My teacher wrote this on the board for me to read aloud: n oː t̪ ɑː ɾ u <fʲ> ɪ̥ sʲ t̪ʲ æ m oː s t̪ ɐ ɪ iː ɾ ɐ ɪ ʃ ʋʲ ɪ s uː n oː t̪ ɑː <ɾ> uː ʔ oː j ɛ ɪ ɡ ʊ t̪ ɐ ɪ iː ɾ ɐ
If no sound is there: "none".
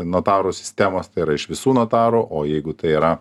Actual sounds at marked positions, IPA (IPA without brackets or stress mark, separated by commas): sʲ, ɾ